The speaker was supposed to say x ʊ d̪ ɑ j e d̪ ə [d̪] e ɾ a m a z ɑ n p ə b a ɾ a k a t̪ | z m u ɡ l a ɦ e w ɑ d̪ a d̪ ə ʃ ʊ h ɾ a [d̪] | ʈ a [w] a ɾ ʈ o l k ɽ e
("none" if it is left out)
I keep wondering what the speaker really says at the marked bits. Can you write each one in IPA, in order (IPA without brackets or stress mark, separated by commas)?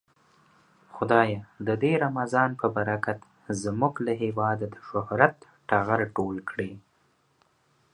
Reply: d̪, t̪, ɣ